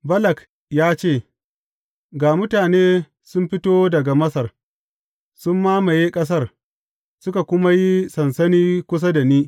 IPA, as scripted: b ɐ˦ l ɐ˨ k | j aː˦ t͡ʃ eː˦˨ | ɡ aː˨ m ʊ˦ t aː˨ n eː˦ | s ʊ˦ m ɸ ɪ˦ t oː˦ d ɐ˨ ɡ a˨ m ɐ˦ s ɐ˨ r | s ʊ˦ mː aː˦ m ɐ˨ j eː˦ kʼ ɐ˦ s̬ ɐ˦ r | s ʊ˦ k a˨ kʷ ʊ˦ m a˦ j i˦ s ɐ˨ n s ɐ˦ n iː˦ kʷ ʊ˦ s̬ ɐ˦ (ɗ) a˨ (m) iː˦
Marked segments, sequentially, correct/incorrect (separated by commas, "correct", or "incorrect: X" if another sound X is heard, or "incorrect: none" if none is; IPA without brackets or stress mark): incorrect: d, incorrect: n